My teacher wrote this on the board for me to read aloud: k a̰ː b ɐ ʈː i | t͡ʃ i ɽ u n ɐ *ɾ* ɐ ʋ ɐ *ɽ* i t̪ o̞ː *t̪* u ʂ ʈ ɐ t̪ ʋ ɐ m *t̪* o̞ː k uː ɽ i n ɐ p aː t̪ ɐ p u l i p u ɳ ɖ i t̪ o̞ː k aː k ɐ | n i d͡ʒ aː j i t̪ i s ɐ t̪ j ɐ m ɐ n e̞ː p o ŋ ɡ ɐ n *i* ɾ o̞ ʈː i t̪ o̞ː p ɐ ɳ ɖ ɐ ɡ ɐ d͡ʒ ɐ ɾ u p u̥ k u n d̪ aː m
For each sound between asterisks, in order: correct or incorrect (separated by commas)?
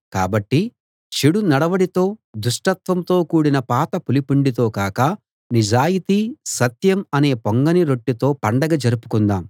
incorrect, correct, incorrect, correct, correct